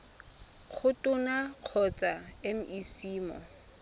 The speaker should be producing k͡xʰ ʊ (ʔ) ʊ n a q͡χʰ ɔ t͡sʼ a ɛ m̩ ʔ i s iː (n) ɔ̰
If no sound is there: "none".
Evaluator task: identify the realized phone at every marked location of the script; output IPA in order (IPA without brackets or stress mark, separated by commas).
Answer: t, m